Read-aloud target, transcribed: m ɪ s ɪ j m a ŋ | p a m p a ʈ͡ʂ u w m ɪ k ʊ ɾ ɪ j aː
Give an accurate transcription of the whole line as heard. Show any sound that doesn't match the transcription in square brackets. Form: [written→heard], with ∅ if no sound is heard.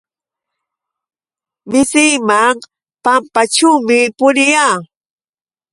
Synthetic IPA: m ɪ s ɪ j m a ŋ | p a m p a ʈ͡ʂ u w m ɪ [k→p] ʊ ɾ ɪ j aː